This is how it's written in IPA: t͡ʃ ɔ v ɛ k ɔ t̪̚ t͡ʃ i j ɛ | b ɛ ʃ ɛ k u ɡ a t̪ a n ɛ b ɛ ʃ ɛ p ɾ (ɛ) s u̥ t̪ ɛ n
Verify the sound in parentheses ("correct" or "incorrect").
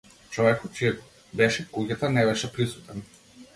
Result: incorrect